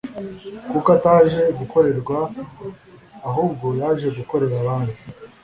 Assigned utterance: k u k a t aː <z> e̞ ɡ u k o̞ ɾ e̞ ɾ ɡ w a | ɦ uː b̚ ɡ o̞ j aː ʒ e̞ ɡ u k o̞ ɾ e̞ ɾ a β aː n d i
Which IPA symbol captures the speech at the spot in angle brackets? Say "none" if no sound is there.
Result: ʒ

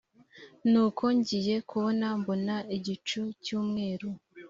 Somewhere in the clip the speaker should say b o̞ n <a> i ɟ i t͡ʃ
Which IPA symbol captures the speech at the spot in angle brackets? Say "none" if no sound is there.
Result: a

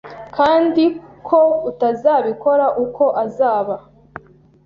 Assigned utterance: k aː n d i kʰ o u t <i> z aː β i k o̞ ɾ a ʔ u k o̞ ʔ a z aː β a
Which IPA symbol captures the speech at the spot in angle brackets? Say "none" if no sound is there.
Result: a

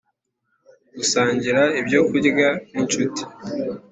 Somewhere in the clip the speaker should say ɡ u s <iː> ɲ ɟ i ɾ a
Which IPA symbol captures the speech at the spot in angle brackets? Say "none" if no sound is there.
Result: aː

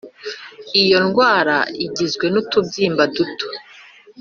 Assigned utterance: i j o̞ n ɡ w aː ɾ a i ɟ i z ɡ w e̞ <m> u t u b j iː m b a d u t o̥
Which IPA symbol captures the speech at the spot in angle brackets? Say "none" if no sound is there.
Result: n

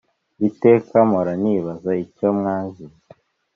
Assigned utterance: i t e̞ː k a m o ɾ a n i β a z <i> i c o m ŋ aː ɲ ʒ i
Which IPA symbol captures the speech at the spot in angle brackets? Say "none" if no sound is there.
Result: a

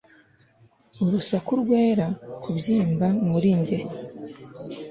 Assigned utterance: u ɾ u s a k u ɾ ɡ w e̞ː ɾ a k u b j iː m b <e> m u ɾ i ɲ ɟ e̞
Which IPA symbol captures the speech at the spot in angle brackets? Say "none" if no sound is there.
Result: a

